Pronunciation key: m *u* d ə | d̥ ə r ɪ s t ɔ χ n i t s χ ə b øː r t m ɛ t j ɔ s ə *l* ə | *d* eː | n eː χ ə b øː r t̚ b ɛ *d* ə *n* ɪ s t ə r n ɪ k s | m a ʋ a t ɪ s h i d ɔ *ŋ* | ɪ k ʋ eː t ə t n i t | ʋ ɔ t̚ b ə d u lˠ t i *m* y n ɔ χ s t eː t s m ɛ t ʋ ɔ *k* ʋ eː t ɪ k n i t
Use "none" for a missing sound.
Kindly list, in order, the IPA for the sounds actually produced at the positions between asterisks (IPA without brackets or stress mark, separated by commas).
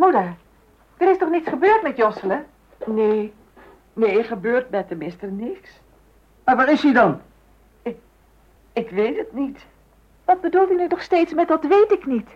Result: u, l, n, t, m, n, n, t